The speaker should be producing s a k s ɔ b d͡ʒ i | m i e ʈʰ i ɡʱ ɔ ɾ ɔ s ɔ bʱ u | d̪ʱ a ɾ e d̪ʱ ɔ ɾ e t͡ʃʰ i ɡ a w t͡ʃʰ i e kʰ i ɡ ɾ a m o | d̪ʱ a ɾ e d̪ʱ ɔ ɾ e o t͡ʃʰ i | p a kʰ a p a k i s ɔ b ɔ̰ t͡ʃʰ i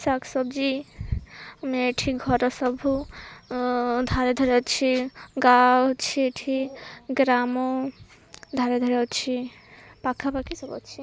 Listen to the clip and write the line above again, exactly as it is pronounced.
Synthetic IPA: s a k s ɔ b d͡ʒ i | m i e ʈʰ i ɡʱ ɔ ɾ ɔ s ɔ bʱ u | d̪ʱ a ɾ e d̪ʱ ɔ ɾ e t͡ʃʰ i ɡ a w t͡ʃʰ i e ʈʰ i ɡ ɾ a m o | d̪ʱ a ɾ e d̪ʱ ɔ ɾ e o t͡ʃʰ i | p a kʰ a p a k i s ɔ b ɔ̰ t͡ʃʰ i